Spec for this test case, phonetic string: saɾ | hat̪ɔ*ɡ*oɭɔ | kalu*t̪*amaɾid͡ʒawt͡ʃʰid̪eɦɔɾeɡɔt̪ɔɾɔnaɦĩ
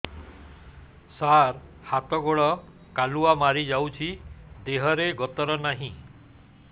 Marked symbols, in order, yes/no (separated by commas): yes, no